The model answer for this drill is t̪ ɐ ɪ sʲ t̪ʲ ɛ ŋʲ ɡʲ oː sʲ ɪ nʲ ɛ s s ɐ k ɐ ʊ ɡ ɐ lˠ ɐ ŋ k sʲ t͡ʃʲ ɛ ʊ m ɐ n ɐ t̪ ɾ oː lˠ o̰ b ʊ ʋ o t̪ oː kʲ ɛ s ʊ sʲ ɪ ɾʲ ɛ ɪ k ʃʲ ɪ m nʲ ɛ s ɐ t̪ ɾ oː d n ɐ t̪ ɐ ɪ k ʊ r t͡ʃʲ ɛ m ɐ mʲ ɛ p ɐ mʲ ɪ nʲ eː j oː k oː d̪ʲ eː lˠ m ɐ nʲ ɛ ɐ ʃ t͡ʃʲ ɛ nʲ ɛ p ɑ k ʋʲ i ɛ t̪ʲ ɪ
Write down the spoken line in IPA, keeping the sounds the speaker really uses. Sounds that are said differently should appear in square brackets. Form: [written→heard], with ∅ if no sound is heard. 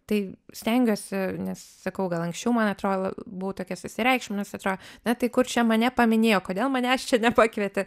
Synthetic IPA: t̪ ɐ ɪ sʲ t̪ʲ ɛ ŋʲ ɡʲ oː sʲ ɪ nʲ ɛ s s ɐ k ɐ ʊ ɡ ɐ lˠ ɐ ŋ k sʲ t͡ʃʲ ɛ ʊ m ɐ n ɐ t̪ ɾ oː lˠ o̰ b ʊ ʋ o t̪ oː kʲ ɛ s ʊ sʲ ɪ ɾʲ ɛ ɪ k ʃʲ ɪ m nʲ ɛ s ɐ t̪ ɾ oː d n ɐ t̪ ɐ ɪ k ʊ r t͡ʃʲ ɛ m ɐ [mʲ→nʲ] ɛ p ɐ mʲ ɪ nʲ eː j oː k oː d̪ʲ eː lˠ m ɐ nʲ ɛ ɐ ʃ t͡ʃʲ ɛ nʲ ɛ p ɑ k ʋʲ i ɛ t̪ʲ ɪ